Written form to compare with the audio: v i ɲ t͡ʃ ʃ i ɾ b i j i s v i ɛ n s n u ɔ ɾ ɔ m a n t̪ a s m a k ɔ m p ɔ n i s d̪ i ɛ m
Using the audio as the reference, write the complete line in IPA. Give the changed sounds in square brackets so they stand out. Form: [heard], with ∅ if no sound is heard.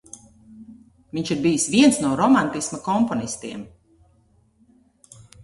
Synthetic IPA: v i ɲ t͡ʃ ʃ i ɾ b i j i s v i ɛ n s n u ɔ ɾ ɔ m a n t̪ [i] s m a k ɔ m p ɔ n i s [t̪] i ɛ m